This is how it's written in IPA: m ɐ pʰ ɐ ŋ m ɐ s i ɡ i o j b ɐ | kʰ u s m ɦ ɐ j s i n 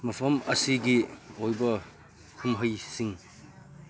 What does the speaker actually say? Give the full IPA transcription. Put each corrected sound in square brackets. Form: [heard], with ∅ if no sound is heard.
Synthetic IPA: m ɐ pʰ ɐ [∅] m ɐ s i ɡ i o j b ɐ | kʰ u [∅] m ɦ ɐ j s i [ŋ]